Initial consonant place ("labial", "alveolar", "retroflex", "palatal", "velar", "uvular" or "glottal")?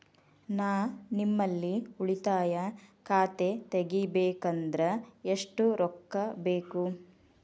alveolar